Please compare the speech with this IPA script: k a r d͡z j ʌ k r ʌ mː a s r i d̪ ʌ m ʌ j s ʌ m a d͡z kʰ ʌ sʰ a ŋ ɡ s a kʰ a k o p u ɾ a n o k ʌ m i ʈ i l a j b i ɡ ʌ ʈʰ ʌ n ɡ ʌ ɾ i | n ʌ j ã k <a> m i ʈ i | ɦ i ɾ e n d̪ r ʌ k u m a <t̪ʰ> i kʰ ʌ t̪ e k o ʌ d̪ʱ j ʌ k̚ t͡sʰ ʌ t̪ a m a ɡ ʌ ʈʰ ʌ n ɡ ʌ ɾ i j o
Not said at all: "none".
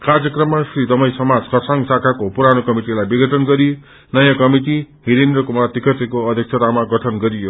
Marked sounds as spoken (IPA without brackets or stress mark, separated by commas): ʌ, t̪